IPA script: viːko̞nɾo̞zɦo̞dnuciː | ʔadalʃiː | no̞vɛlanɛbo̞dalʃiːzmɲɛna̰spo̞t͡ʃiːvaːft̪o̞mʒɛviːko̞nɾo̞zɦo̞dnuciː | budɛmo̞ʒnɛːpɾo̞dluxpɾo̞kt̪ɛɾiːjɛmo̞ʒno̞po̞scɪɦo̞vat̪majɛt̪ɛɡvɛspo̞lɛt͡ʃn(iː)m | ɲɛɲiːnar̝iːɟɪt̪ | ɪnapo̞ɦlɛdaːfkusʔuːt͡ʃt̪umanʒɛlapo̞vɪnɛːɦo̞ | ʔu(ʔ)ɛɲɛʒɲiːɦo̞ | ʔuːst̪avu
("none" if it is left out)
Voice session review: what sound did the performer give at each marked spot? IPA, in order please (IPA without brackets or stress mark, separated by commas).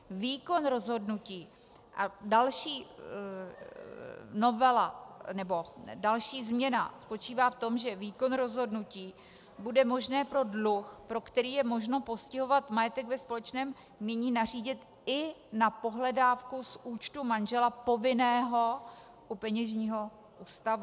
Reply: ɛː, p